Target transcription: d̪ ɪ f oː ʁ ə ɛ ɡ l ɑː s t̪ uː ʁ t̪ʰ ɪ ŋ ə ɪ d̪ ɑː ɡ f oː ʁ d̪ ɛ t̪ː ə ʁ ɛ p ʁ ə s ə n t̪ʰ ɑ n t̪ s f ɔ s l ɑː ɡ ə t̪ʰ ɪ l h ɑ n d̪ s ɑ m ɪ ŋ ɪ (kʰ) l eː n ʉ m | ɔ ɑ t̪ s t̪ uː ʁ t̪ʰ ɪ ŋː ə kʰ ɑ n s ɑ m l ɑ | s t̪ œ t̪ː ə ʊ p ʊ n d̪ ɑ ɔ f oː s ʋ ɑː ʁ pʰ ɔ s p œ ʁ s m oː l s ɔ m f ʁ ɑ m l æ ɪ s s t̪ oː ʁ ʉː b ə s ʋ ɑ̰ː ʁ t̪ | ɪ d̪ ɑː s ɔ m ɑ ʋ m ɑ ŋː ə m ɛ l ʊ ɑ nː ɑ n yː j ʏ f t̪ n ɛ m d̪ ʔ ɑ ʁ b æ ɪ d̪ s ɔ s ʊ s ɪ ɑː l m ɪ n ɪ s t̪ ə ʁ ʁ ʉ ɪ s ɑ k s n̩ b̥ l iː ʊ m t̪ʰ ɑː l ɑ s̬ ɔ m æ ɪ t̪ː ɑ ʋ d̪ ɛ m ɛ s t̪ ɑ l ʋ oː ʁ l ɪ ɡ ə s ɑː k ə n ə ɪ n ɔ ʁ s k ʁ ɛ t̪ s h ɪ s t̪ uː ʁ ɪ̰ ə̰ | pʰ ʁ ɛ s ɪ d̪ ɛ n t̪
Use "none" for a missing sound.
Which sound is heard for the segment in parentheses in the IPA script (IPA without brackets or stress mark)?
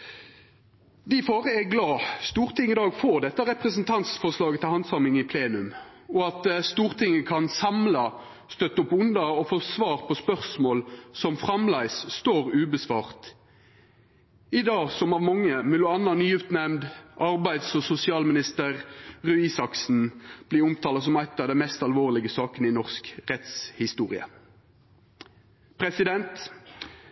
pʰ